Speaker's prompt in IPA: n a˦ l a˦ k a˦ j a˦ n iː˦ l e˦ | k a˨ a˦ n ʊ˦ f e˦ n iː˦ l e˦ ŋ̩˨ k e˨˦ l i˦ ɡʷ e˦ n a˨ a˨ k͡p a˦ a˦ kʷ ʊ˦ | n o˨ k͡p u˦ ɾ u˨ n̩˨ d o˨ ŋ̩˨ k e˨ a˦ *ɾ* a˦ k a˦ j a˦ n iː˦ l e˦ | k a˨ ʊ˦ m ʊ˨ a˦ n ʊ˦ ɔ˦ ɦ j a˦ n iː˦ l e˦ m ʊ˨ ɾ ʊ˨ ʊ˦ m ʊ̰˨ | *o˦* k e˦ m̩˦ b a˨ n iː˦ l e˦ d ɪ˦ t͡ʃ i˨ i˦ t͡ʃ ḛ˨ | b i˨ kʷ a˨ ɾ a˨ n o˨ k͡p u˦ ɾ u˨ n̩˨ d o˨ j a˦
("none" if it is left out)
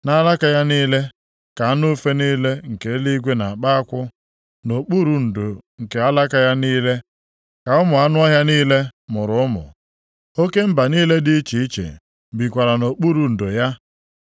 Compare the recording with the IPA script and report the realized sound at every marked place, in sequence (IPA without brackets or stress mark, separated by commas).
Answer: l, o˦